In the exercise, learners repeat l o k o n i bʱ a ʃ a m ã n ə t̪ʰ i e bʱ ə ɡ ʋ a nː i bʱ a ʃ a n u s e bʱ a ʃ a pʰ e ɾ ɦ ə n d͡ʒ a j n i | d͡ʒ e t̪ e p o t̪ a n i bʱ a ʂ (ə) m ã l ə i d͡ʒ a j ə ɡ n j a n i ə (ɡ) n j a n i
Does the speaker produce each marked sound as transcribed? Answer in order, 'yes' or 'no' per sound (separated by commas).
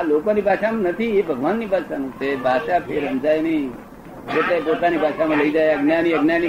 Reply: no, yes